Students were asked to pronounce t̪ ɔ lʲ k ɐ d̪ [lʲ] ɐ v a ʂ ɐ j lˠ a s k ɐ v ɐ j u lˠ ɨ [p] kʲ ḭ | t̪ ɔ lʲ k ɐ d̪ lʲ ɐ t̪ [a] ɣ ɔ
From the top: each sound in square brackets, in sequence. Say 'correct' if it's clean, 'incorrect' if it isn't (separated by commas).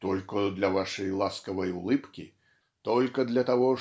correct, correct, correct